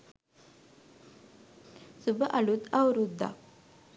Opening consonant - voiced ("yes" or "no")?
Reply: no